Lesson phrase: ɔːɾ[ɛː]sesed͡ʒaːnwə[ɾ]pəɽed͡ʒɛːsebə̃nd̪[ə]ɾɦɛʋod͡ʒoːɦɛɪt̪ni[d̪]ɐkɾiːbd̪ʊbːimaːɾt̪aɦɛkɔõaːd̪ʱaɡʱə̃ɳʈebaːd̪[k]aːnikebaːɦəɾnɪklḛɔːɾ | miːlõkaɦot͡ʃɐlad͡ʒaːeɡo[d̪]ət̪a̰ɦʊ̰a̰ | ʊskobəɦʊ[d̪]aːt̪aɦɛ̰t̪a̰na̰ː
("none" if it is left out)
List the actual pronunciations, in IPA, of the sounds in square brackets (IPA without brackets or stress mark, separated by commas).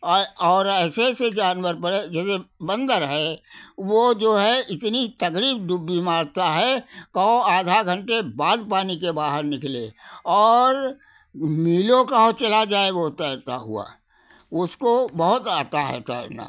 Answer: ɛː, ɾ, ə, t̪, p, t̪, t̪